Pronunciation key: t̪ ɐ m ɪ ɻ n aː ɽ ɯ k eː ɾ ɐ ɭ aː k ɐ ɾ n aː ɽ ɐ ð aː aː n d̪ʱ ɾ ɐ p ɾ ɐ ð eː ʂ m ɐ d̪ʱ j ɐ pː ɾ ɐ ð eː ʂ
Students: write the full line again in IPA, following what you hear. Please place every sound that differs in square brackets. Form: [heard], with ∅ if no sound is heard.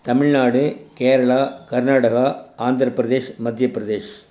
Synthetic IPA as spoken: t̪ ɐ m ɪ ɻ n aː ɽ ɯ k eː ɾ ɐ ɭ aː k ɐ ɾ n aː ɽ ɐ [ɣ] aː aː n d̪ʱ ɾ ɐ p ɾ ɐ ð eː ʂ m ɐ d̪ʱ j ɐ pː ɾ ɐ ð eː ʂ